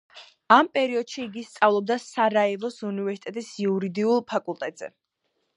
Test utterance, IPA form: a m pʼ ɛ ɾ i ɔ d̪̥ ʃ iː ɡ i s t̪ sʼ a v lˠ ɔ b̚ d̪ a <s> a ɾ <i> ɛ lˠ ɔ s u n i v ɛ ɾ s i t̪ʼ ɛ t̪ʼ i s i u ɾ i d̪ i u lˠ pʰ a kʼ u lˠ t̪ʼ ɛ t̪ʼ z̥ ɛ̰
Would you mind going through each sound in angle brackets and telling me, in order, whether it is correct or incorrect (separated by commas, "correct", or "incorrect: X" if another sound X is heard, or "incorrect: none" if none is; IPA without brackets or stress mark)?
correct, incorrect: a